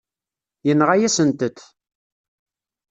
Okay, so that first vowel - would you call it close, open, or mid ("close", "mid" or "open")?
mid